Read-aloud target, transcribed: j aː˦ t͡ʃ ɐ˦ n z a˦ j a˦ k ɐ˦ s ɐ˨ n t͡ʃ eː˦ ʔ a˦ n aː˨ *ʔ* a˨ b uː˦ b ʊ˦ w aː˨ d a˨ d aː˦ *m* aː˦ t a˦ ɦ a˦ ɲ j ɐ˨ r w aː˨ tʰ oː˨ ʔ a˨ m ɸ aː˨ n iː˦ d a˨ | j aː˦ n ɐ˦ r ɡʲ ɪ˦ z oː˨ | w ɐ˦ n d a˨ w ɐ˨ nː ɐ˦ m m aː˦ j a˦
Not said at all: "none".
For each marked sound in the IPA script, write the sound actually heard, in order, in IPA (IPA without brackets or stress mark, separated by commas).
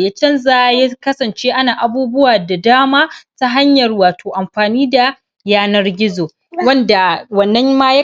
ʔ, m